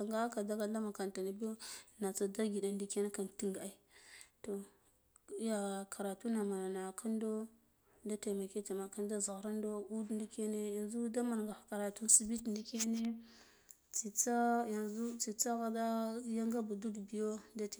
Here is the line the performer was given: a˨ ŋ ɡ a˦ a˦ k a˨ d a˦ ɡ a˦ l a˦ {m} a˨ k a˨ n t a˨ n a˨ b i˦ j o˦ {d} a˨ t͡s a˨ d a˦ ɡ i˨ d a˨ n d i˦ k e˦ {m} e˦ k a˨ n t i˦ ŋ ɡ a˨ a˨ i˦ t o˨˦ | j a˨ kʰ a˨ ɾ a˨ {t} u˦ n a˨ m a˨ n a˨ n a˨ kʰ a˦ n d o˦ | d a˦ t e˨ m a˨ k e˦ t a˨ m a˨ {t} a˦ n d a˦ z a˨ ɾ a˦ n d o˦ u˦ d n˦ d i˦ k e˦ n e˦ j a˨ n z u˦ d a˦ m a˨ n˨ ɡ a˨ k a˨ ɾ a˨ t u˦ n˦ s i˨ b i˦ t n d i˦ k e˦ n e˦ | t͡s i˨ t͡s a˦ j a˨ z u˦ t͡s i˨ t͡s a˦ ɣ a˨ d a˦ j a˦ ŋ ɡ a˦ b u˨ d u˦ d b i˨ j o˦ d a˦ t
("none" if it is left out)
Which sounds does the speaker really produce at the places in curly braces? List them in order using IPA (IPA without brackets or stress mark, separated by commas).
m, n, n, t, k